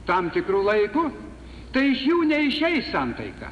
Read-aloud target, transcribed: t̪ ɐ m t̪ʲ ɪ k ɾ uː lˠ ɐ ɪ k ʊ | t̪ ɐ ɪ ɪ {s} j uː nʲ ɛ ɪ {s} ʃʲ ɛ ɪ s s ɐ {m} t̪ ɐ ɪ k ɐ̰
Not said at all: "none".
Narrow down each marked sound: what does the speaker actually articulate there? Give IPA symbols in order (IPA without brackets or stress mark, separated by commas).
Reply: ʃ, none, n